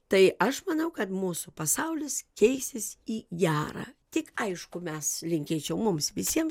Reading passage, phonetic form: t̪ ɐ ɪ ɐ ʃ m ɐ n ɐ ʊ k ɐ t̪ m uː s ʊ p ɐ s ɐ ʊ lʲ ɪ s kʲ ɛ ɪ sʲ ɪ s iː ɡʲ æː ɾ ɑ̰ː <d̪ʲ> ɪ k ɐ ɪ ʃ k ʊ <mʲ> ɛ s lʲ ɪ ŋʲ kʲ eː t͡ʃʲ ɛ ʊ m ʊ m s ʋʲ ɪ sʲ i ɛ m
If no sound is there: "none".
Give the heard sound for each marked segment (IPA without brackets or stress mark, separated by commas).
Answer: t̪ʲ, mʲ